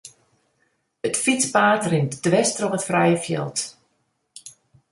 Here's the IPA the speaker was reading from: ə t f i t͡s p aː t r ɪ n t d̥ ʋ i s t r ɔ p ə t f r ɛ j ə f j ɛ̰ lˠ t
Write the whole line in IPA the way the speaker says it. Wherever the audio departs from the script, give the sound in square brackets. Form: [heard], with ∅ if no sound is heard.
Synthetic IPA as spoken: ə t f i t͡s p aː t r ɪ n t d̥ ʋ [ɛ] s t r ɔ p ə t f r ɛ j ə f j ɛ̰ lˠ t